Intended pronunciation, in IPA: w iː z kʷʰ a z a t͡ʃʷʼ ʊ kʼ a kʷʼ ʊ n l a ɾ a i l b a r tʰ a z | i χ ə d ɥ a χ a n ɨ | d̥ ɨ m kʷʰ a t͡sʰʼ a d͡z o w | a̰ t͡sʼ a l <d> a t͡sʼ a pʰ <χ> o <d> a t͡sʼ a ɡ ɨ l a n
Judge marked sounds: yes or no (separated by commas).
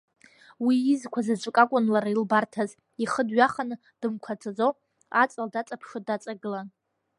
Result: yes, no, yes